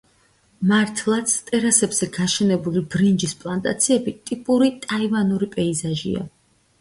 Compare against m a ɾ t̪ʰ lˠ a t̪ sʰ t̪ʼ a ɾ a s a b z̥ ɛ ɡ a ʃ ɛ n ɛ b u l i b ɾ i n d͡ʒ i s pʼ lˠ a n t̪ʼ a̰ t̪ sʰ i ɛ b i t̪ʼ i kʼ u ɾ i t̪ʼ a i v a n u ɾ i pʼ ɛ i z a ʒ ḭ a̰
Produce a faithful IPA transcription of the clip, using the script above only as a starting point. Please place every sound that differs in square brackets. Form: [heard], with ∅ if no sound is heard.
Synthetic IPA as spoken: m a ɾ t̪ʰ lˠ a t̪ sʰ t̪ʼ [ɛ] ɾ a s [ɛ] b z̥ ɛ ɡ a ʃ ɛ n ɛ b u l i b ɾ i n d͡ʒ i s pʼ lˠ a n t̪ʼ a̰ t̪ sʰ i ɛ b i t̪ʼ i [pʼ] u ɾ i t̪ʼ a i v a n u ɾ i pʼ ɛ i z a ʒ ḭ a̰

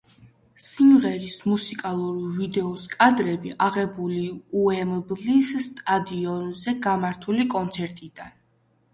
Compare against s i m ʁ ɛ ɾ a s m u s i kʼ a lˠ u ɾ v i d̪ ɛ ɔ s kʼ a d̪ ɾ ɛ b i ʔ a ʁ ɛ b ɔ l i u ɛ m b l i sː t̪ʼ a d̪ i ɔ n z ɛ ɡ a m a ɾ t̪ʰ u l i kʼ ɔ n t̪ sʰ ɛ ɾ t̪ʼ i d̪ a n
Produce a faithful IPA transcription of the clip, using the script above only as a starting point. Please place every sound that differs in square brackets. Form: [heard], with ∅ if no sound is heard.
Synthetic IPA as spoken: s i m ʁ ɛ ɾ [i] s m u s i kʼ a lˠ u ɾ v i d̪ ɛ ɔ s kʼ a d̪ ɾ ɛ b i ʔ a ʁ ɛ b [u] l i u ɛ m b l i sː t̪ʼ a d̪ i ɔ n z ɛ ɡ a m a ɾ t̪ʰ u l i kʼ ɔ n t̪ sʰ ɛ ɾ t̪ʼ i d̪ a n

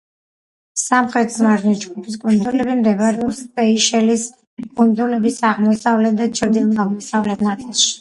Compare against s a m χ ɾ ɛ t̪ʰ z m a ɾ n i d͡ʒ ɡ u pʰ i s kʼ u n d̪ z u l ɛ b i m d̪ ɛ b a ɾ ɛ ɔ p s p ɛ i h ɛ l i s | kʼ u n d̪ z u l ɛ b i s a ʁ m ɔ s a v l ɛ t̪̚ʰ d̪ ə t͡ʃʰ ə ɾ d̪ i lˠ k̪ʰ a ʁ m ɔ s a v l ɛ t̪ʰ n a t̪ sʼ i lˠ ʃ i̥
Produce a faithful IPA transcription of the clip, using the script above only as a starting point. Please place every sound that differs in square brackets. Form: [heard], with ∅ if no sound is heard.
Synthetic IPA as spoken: s a m χ ɾ ɛ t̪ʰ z m a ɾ n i d͡ʒ ɡ u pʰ i s kʼ u n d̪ z u l ɛ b i m d̪ ɛ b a ɾ ɛ ɔ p s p ɛ i [ʃ] ɛ l i s | kʼ u n d̪ z u l ɛ b i s a ʁ m ɔ s a v l ɛ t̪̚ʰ d̪ [a] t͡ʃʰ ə ɾ d̪ i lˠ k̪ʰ a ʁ m ɔ s a v l ɛ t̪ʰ n a t̪ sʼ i lˠ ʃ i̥

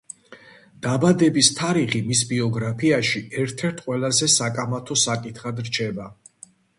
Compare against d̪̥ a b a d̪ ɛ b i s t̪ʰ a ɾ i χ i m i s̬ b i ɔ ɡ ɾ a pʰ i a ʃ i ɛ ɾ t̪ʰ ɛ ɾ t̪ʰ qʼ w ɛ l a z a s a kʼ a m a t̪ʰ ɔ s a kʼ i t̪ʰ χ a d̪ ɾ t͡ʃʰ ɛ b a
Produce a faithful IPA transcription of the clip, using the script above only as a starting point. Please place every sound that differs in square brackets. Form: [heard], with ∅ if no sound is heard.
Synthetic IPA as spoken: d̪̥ a b a d̪ ɛ b i s t̪ʰ a ɾ i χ i m i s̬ b i ɔ ɡ ɾ a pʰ i a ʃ i ɛ ɾ t̪ʰ ɛ ɾ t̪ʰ qʼ w ɛ l a z [ɛ] s a kʼ a m a t̪ʰ ɔ s a kʼ i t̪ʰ χ a d̪ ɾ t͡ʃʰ ɛ b a

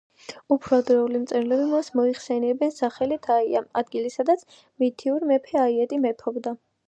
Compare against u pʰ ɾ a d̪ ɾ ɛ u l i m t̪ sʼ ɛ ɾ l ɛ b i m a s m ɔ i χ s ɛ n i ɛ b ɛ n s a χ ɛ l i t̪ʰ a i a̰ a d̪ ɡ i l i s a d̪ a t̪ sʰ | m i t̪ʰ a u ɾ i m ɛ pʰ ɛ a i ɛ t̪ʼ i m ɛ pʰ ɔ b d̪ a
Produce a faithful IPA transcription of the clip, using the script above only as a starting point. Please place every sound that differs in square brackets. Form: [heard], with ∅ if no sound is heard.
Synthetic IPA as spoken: u pʰ ɾ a d̪ ɾ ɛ u l i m t̪ sʼ ɛ ɾ l ɛ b i m a s m ɔ i χ s ɛ n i ɛ b ɛ n s a χ ɛ l i t̪ʰ a i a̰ a d̪ ɡ i l i s a d̪ a t̪ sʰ | m i t̪ʰ [i] u ɾ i m ɛ pʰ ɛ a i ɛ t̪ʼ i m ɛ pʰ ɔ b d̪ a

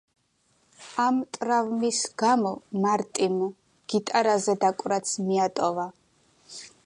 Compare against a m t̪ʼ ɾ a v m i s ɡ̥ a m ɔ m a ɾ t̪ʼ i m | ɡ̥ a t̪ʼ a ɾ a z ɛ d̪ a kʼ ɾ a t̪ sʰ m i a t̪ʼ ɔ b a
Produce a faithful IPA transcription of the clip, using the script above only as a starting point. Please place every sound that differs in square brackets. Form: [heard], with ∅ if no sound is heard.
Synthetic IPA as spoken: a m t̪ʼ ɾ a v m i s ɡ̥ a m ɔ m a ɾ t̪ʼ i m | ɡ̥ [i] t̪ʼ a ɾ a z ɛ d̪ a kʼ ɾ a t̪ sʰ m i a t̪ʼ ɔ [v] a

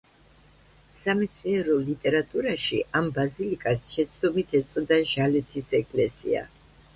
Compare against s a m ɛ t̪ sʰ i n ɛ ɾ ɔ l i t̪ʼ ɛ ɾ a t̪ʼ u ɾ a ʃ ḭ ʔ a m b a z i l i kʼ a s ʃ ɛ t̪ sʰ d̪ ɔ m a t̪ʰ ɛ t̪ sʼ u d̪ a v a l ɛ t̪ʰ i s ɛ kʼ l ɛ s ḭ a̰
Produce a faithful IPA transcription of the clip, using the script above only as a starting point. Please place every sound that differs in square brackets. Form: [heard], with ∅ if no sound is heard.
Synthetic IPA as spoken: s a m ɛ t̪ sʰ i n ɛ ɾ ɔ l i t̪ʼ ɛ ɾ a t̪ʼ u ɾ a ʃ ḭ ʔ a m b a z i l i kʼ a s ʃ ɛ t̪ sʰ d̪ ɔ m [i] t̪ʰ ɛ t̪ sʼ [ɔ] d̪ a [ʒ] a l ɛ t̪ʰ i s ɛ kʼ l ɛ s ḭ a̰

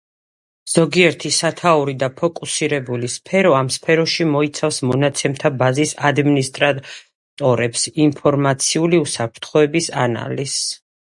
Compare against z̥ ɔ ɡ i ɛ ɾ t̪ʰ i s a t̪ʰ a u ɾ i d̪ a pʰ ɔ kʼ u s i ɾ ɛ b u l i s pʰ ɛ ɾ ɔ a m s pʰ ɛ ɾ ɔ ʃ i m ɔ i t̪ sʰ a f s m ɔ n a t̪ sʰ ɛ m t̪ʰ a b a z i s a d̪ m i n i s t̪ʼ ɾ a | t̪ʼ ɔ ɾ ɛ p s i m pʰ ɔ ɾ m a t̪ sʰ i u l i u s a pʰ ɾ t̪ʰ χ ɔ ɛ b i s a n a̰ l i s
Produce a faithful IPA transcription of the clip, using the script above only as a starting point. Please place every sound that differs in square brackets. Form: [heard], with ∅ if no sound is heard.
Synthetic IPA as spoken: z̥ ɔ ɡ i ɛ ɾ t̪ʰ i s a t̪ʰ a u ɾ i d̪ a pʰ ɔ kʼ u s i ɾ ɛ b u l i s pʰ ɛ ɾ ɔ a m s pʰ ɛ ɾ ɔ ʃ i m ɔ i t̪ sʰ a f s m ɔ n a t̪ sʰ ɛ m t̪ʰ a b a z i s a d̪ m i n i s t̪ʼ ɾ a | t̪ʼ ɔ ɾ ɛ p s i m pʰ ɔ ɾ m a t̪ sʰ i u l i u s a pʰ ɾ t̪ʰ χ ɔ ɛ b i s a n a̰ l i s

